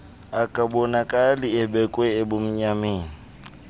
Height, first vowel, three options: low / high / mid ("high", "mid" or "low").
low